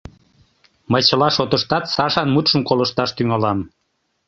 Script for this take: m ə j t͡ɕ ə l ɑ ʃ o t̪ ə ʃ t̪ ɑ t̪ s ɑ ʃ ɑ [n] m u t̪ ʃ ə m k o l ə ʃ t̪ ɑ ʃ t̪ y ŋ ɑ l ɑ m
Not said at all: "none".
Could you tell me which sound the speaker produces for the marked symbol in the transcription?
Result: n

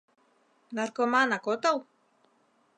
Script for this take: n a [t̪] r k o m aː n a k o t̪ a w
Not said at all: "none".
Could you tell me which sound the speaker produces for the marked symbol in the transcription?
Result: none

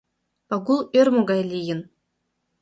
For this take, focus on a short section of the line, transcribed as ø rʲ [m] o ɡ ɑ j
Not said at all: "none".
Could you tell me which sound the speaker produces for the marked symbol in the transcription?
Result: m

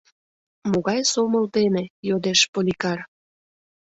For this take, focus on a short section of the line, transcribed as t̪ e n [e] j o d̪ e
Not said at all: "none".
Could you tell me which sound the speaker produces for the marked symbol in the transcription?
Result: e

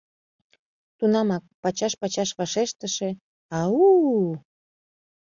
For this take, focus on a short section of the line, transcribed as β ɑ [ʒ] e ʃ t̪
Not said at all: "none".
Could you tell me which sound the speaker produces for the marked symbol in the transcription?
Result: ʃ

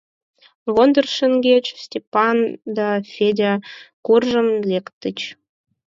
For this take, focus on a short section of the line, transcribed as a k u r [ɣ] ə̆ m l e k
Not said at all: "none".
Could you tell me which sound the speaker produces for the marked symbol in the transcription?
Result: ʒ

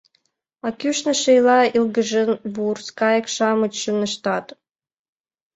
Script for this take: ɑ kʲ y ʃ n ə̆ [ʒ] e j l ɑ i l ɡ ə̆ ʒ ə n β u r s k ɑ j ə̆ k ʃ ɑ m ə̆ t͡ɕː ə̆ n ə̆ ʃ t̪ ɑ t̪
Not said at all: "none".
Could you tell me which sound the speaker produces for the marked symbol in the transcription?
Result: ʃ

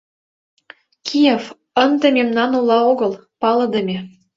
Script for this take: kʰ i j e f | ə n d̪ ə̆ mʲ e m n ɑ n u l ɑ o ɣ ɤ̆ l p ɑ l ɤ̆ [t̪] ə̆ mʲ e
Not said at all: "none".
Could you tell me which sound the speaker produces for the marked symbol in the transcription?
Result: d̪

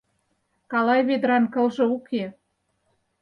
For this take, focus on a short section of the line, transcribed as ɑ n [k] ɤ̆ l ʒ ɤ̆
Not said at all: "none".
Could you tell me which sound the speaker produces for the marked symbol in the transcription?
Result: k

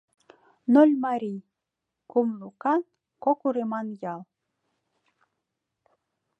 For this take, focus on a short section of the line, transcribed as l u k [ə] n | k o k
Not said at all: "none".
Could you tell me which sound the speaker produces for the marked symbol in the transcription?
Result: ɑ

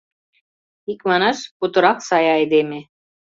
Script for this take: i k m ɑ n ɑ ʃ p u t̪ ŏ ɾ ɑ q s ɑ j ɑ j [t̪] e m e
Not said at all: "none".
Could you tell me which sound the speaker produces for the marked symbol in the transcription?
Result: d̪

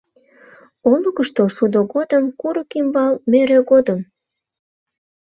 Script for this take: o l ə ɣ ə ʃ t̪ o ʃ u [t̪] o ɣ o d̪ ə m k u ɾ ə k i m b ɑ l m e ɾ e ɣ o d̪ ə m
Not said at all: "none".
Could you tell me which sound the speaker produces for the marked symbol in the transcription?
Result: d̪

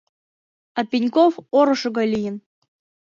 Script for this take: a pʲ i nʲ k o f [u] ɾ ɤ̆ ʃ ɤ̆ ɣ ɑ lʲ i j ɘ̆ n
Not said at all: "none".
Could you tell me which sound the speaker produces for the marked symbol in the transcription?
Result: o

